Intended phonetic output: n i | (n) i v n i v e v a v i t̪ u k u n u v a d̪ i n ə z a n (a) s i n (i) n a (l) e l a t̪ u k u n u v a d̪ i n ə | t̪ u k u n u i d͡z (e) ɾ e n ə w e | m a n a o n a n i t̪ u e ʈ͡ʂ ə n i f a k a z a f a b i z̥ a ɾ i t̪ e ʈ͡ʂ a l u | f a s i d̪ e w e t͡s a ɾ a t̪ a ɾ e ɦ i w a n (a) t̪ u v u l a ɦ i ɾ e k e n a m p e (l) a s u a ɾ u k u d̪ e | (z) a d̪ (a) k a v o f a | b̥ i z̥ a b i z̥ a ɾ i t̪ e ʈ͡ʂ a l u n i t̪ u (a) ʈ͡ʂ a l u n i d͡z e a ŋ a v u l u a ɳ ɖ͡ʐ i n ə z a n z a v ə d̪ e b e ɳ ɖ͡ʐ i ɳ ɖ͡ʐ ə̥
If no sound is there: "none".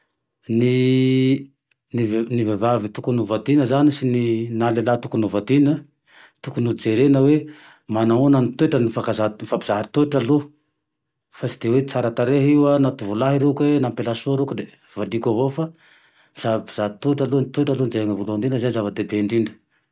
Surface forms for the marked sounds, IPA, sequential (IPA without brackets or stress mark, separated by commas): n, i, i, l, e, a, l, v, i, e